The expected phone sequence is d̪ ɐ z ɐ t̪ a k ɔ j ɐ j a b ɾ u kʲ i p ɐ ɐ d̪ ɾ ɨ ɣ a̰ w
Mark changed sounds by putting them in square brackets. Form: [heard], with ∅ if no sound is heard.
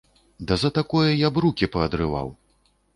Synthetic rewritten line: d̪ ɐ z ɐ t̪ a k ɔ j ɐ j a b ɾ u kʲ i p ɐ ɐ d̪ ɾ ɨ [v] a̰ w